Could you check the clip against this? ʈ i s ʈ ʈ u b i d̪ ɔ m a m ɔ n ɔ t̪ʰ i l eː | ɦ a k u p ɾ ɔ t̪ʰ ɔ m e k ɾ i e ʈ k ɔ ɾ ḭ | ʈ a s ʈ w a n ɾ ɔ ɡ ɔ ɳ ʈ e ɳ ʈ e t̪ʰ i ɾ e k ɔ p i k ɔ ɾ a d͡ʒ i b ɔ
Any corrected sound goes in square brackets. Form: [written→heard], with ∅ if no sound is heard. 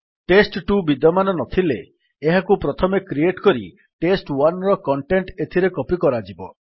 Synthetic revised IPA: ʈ [i→e] s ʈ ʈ u b i d̪ ɔ m a [m→n] ɔ n ɔ t̪ʰ i l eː | ɦ a k u p ɾ ɔ t̪ʰ ɔ m e k ɾ i e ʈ k ɔ ɾ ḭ | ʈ [a→e] s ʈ w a n ɾ ɔ [ɡ→k] ɔ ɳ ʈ e ɳ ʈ e t̪ʰ i ɾ e k ɔ p i k ɔ ɾ a d͡ʒ i b ɔ